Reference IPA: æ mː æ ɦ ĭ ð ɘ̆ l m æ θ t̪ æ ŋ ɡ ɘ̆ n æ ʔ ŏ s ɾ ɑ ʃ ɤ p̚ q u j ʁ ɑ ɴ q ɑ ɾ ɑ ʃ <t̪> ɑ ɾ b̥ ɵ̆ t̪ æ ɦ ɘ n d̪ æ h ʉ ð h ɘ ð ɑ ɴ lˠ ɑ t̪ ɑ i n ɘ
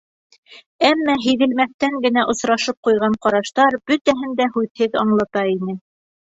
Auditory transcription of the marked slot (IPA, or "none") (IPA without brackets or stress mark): t̪